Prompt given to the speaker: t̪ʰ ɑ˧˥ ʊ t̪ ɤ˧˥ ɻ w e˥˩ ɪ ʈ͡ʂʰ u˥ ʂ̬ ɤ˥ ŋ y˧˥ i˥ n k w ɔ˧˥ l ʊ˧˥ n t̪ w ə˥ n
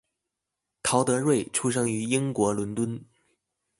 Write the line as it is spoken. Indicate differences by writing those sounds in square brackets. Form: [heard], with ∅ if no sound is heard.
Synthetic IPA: t̪ʰ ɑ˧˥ ʊ t̪ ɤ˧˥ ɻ w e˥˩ ɪ ʈ͡ʂʰ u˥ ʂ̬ ɤ˥ ŋ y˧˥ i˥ [ŋ] k w ɔ˧˥ l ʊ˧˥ n t̪ w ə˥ n